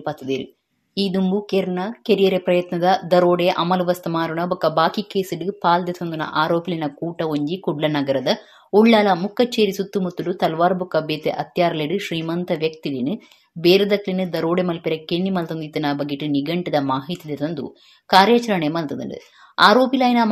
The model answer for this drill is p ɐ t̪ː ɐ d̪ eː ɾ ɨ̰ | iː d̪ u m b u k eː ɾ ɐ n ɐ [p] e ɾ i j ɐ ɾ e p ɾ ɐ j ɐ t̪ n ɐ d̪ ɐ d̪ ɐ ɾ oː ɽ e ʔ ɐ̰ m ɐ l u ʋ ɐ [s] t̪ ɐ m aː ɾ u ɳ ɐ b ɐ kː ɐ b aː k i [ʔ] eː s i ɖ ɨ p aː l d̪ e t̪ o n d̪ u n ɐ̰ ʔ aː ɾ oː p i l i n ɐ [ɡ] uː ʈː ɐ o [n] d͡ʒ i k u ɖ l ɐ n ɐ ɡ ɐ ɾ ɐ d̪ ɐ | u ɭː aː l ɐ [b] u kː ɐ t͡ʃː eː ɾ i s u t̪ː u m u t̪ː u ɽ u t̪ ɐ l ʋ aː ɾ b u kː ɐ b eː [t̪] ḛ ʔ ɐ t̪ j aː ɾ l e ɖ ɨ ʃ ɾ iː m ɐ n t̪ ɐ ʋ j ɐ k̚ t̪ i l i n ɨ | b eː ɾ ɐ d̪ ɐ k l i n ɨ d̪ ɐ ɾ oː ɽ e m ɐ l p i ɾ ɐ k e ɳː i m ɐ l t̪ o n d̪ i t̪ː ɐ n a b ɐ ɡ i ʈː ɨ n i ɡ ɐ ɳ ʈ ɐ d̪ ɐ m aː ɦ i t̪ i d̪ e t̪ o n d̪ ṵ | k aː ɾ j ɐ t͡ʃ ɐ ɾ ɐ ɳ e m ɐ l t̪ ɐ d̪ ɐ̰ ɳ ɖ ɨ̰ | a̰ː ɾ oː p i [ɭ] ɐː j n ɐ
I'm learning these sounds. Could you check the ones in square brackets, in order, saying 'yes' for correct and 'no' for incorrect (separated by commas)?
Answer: no, yes, no, no, no, no, yes, no